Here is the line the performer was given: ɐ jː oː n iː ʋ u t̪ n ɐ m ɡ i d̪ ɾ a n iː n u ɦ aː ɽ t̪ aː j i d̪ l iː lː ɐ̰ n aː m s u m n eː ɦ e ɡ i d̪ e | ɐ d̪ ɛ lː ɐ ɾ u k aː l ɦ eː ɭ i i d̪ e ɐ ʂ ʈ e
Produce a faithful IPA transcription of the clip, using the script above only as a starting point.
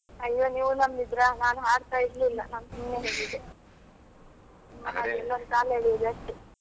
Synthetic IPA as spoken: ɐ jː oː n iː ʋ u n ɐ m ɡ i d̪ ɾ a n aː n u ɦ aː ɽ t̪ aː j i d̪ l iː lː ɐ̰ n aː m s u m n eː ɦ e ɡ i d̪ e | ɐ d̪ ɛ lː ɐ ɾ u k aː l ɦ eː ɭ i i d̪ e ɐ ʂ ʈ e